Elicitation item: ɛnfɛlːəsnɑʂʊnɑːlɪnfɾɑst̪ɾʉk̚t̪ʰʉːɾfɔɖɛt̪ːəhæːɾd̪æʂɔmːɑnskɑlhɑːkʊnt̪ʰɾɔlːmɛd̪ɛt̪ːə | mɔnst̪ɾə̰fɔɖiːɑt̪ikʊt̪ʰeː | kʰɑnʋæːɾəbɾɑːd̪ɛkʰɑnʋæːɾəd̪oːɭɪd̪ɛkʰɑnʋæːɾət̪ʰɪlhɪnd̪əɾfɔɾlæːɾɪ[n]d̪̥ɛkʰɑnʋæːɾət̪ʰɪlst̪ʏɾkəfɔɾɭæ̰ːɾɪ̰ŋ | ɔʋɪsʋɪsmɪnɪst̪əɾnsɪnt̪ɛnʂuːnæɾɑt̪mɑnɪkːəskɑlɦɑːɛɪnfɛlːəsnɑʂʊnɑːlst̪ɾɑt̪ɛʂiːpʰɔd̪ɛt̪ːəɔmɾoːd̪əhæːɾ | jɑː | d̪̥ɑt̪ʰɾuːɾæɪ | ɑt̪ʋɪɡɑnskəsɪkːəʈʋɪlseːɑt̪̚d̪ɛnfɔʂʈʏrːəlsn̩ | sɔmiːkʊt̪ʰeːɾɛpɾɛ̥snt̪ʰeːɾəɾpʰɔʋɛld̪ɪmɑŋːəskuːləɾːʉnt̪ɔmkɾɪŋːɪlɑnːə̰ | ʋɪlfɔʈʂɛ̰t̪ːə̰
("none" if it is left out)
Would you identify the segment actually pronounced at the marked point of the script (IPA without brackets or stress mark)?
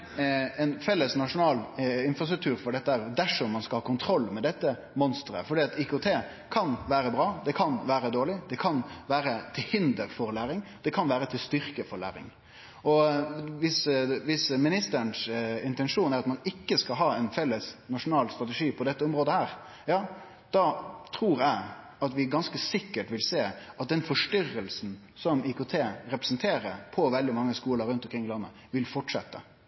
ŋ